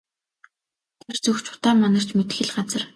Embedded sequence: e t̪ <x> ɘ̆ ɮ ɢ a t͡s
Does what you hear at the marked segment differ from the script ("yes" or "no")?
no